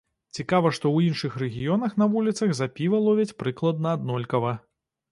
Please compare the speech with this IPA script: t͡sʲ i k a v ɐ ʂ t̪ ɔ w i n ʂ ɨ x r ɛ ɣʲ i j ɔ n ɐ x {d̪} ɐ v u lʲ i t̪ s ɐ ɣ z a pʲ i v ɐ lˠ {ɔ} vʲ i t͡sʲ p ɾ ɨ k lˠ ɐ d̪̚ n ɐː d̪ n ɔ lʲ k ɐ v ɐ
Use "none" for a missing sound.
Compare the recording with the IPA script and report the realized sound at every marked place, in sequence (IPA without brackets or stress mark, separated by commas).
n̪, ɔ